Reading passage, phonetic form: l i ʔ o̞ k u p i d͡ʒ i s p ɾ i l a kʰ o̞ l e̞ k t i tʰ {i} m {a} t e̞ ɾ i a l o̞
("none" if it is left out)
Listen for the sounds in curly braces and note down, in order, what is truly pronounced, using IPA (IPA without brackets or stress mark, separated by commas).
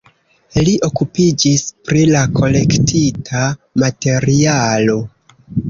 a, a